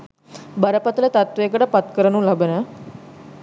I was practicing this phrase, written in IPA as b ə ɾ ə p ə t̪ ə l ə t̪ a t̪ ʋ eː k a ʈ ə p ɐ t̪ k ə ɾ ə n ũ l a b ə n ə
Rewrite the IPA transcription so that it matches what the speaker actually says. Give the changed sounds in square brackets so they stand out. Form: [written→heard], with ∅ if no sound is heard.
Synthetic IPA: b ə ɾ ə p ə t̪ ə l ə t̪ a t̪ ʋ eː k [a→ə] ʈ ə p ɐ t̪ k ə ɾ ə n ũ l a b ə n ə